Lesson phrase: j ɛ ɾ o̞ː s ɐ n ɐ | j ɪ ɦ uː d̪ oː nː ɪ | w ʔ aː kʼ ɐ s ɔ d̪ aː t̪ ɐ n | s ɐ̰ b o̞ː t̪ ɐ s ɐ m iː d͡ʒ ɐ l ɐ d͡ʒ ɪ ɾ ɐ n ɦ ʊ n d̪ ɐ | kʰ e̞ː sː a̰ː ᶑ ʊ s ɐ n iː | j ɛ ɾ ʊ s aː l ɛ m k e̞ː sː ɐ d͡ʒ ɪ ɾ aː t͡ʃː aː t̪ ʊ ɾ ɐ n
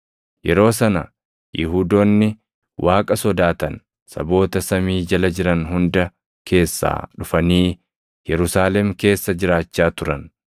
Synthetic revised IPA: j ɛ ɾ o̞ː s ɐ n ɐ | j ɪ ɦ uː d̪ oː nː ɪ | w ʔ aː kʼ ɐ s ɔ d̪ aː t̪ ɐ n | s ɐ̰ b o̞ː t̪ ɐ s ɐ m iː d͡ʒ ɐ l ɐ d͡ʒ ɪ ɾ ɐ n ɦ ʊ n d̪ ɐ | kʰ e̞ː sː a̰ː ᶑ ʊ f ɐ n iː | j ɛ ɾ ʊ s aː l ɛ m k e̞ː sː ɐ d͡ʒ ɪ ɾ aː t͡ʃː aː t̪ ʊ ɾ ɐ n